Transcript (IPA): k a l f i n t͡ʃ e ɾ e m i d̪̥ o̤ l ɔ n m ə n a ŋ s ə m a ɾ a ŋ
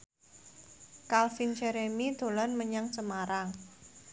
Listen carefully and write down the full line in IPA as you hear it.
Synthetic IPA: k a l f i n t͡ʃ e ɾ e m i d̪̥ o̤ l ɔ n m ə ɲ a ŋ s ə m a ɾ a ŋ